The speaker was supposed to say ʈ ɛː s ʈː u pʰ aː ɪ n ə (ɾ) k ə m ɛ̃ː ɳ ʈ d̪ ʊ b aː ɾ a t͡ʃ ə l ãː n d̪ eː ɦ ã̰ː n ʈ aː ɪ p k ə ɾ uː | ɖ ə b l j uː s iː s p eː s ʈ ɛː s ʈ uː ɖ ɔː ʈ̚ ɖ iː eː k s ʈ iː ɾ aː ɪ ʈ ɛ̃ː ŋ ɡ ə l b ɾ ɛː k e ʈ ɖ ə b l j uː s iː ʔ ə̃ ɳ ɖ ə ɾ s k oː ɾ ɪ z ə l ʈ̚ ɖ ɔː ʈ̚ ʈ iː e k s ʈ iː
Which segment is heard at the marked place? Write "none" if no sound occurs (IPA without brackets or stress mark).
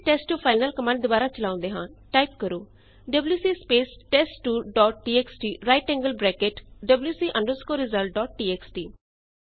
l